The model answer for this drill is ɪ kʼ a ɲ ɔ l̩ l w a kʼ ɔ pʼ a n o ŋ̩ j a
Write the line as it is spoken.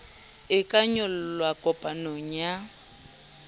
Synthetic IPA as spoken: ɪ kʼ a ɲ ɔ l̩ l w a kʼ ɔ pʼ a n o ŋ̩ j a